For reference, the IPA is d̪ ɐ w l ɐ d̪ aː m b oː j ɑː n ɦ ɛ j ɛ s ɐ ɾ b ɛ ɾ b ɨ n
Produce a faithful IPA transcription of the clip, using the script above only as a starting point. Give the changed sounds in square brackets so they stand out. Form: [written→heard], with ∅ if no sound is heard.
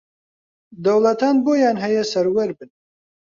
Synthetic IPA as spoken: d̪ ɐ w l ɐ [d̪→t̪] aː [m→n] b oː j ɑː n ɦ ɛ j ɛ s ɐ ɾ [b→w] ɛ ɾ b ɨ n